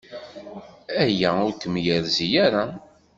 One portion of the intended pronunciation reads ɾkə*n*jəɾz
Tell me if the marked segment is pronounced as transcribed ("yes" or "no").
no